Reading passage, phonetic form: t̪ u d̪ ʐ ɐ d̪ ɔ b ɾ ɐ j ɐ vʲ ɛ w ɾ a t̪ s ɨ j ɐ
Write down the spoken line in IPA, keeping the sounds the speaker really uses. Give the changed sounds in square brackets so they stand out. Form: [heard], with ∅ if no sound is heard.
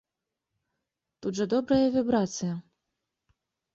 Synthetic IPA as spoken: t̪ u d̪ ʐ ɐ d̪ ɔ b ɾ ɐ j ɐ vʲ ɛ [b] ɾ a t̪ s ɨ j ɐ